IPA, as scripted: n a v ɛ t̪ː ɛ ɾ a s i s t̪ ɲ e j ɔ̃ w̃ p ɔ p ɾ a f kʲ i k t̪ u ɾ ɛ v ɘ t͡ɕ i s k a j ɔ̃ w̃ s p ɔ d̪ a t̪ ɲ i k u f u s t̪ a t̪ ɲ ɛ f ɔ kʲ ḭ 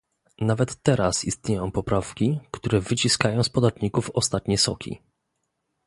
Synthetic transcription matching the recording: n a v ɛ t̪ː ɛ ɾ a s i s t̪ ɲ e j ɔ̃ w̃ p ɔ p ɾ a f kʲ i k t̪ u ɾ ɛ v ɘ t͡ɕ i s k a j ɔ̃ w̃ s p ɔ d̪ a t̪ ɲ i k u f ɔ s t̪ a t̪ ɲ ɛ s ɔ kʲ ḭ

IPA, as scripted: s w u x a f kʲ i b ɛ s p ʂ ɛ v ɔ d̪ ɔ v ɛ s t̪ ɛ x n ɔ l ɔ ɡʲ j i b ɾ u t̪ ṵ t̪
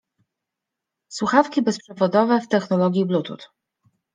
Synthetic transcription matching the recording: s w u x a f kʲ i b ɛ s p ʂ ɛ v ɔ d̪ ɔ v ɛ f t̪ ɛ x n ɔ l ɔ ɡʲ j i b l u t̪ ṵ t̪

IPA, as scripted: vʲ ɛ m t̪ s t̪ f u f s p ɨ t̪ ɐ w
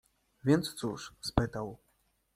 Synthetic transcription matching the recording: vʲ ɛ n t̪ s t̪ s u ʂ s p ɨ t̪ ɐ w

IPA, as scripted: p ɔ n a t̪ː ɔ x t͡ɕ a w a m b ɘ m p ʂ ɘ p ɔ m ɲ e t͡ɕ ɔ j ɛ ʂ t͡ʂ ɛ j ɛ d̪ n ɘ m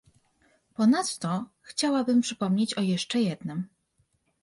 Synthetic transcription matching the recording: p ɔ n a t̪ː ɔ x t͡ɕ a w a b ɘ m p ʂ ɘ p ɔ m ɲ e t͡ɕ ɔ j ɛ ʂ t͡ʂ ɛ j ɛ d̪ n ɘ m

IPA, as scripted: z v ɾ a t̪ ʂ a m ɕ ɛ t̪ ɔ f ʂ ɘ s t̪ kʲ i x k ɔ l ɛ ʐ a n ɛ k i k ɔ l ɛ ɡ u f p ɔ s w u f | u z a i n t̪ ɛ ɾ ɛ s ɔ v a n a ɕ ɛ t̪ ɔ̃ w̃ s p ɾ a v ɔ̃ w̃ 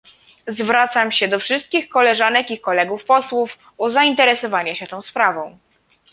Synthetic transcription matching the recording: z v ɾ a t̪ s a m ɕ ɛ d̪ ɔ f ʂ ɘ s t̪ kʲ i x k ɔ l ɛ ʐ a n ɛ k i k ɔ l ɛ ɡ u f p ɔ s w u f | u z a i n t̪ ɛ ɾ ɛ s ɔ v a ɲ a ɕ ɛ t̪ ɔ̃ w̃ s p ɾ a v ɔ̃ w̃

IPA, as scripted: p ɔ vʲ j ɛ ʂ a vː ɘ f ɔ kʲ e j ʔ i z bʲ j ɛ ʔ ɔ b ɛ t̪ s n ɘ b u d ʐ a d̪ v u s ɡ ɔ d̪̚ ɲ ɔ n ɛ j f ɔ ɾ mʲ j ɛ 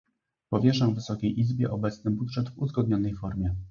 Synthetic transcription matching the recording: p ɔ vʲ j ɛ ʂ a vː ɘ s ɔ kʲ e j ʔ i z bʲ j ɛ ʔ ɔ b ɛ t̪ s n ɘ b u d ʐ ɛ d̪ v u z ɡ ɔ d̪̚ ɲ ɔ n ɛ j f ɔ ɾ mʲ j ɛ

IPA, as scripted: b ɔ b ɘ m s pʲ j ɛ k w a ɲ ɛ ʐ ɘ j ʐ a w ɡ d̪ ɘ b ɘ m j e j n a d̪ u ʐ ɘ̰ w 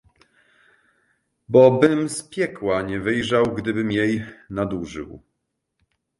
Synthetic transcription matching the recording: b ɔ b ɘ m s pʲ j ɛ k w a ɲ ɛ v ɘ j ʐ a w ɡ d̪ ɘ b ɘ m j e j n a d̪ u ʐ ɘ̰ w

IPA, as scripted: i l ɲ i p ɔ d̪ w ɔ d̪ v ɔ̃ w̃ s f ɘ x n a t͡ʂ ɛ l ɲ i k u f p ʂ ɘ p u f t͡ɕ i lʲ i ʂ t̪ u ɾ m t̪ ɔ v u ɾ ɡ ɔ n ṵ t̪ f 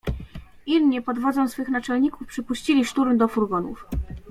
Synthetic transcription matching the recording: i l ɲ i p ɔ d̪ v ɔ d̪ z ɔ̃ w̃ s f ɘ x n a t͡ʂ ɛ l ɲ i k u f p ʂ ɘ p u ɕ t͡ɕ i lʲ i ʂ t̪ u ɾ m d̪ ɔ f u ɾ ɡ ɔ n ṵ f

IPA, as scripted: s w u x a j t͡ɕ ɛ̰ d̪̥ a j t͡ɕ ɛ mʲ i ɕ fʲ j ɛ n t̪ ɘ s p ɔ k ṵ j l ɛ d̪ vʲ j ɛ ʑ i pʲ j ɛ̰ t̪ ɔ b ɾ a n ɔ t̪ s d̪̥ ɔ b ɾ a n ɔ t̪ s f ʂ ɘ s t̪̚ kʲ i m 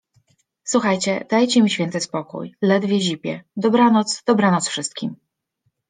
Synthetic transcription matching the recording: s w u x a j t͡ɕ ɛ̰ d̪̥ a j t͡ɕ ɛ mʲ i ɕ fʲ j ɛ n t̪ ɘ s p ɔ k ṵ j l ɛ d̪ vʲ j ɛ ʑ i pʲ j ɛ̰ d̪ ɔ b ɾ a n ɔ t̪ s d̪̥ ɔ b ɾ a n ɔ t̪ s f ʂ ɘ s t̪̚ kʲ i m

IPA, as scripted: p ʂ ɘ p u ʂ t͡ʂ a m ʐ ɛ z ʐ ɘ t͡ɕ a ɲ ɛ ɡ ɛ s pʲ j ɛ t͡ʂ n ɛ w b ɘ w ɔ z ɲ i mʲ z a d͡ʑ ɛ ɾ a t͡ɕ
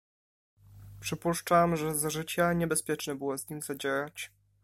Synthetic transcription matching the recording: p ʂ ɘ p u ʂ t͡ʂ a m ʐ ɛ z ʐ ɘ t͡ɕ a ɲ ɛ b ɛ s pʲ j ɛ t͡ʂ n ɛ b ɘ w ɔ z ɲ i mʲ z a d͡ʑ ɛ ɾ a t͡ɕ

